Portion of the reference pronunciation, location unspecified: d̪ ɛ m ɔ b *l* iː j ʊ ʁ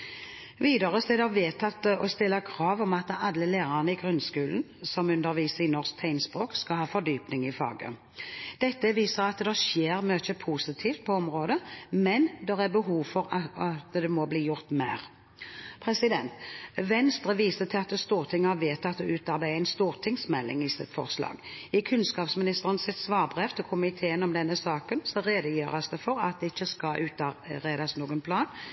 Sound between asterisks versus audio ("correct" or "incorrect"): correct